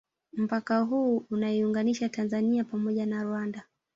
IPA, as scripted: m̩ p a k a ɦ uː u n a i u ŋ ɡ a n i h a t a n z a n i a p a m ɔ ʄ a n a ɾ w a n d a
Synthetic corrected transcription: m̩ p a k a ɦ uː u n a i u ŋ ɡ a n i ʃ a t a n z a n i a p a m ɔ ʄ a n a ɾ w a n d a